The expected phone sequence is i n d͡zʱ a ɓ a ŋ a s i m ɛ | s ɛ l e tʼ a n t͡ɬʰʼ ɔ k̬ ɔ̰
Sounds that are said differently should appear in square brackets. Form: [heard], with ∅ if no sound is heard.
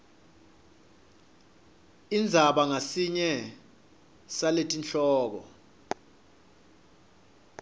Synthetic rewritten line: i n d͡zʱ a ɓ a ŋ a s i [ɲ] ɛ | s [a] l e tʼ [i] n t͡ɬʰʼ [ɔː] k̬ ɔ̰